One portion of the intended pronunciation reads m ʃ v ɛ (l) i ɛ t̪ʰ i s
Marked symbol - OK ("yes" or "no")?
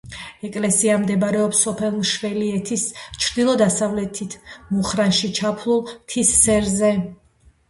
yes